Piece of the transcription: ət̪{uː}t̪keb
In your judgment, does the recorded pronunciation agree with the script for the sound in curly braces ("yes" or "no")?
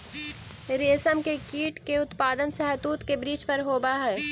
yes